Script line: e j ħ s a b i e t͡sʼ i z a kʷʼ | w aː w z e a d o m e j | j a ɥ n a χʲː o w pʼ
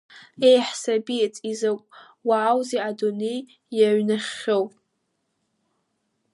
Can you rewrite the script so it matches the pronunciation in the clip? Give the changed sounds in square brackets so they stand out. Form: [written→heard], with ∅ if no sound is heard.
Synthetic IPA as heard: e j ħ s a b i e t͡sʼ i z a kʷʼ | w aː w z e a d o [m→n] e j | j a ɥ n a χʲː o w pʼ